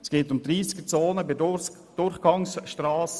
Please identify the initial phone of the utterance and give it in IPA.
s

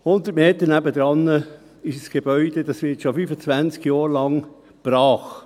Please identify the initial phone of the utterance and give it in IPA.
h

